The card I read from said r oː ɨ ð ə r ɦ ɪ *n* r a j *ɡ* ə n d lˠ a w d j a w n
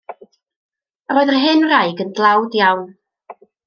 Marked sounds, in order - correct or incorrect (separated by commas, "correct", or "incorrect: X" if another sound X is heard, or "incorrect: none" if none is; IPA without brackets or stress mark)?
correct, correct